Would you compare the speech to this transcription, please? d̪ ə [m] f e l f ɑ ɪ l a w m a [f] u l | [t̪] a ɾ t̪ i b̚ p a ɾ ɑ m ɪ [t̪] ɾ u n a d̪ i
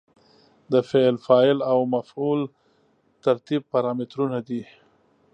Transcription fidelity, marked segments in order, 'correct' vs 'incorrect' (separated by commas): incorrect, correct, correct, correct